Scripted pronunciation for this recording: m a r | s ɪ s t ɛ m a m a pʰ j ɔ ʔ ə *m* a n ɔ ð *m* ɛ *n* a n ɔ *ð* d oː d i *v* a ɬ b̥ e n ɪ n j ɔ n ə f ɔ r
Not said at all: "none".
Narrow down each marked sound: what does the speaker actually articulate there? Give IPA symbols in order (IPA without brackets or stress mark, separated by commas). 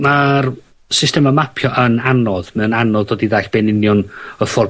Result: n, m, n, ð, ð